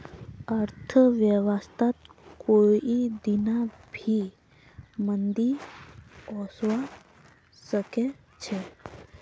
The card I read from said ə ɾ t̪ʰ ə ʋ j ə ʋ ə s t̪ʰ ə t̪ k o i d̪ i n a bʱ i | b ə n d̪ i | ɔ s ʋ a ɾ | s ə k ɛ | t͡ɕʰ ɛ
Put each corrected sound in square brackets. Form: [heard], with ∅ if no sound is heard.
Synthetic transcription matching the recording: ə ɾ t̪ʰ ə ʋ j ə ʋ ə s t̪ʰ [a] t̪ k o i d̪ i n a bʱ i | [m] ə n d̪ i | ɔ s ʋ a [∅] | s ə k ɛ | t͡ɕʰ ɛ